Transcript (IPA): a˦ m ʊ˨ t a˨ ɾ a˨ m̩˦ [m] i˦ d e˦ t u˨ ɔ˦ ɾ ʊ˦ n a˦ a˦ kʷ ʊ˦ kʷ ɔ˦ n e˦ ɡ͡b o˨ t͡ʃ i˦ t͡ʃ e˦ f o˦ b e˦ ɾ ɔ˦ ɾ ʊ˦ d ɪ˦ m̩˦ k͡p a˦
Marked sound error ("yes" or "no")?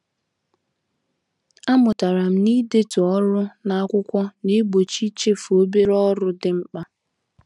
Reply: yes